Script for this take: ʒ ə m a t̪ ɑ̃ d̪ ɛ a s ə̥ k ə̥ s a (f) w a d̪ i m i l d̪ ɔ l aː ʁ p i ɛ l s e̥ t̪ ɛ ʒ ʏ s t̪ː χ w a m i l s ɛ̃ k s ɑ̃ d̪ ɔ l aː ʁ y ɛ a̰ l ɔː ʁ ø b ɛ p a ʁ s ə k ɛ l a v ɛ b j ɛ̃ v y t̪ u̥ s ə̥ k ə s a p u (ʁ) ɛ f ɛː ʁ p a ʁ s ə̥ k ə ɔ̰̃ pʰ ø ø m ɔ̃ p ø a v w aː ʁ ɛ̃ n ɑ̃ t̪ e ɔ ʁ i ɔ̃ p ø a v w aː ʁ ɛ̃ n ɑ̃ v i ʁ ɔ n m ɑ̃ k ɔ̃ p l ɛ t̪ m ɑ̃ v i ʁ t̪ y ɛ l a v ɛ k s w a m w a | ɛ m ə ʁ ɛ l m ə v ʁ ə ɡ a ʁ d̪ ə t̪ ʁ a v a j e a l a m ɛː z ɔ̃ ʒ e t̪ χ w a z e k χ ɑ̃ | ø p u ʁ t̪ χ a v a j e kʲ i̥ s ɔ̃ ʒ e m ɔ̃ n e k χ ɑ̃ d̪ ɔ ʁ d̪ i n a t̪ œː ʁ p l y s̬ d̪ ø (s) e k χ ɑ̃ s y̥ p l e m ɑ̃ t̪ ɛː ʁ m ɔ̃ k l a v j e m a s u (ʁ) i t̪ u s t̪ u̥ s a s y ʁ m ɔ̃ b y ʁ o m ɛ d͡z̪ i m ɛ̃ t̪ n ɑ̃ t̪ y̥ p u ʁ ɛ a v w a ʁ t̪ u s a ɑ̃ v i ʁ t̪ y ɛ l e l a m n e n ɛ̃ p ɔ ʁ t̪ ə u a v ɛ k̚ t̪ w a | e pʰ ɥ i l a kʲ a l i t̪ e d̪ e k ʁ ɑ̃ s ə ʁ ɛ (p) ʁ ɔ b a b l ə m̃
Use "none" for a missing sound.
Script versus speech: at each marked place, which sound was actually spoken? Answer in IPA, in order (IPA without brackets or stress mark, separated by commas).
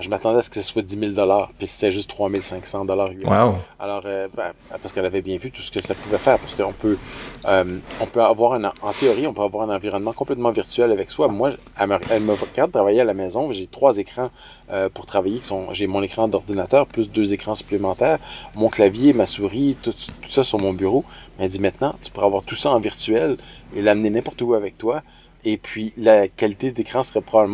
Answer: s, v, z, ʁ, p